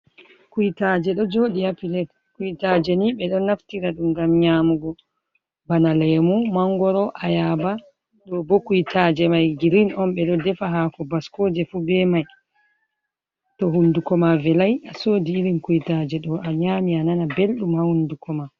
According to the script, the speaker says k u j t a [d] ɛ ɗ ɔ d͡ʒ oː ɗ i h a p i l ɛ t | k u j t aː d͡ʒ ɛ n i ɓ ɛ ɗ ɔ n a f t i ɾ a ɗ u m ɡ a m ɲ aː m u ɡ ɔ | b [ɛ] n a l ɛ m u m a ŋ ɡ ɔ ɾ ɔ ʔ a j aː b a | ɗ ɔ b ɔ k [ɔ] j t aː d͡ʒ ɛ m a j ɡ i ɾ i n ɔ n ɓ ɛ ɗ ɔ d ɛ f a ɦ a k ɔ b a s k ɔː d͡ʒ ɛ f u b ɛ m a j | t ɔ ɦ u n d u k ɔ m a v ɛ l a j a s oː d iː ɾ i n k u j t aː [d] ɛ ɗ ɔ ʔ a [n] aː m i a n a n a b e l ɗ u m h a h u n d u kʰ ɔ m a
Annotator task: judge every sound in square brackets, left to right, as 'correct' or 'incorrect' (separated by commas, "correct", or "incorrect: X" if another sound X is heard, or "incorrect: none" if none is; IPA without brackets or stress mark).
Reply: incorrect: d͡ʒ, incorrect: a, incorrect: u, incorrect: d͡ʒ, incorrect: ɲ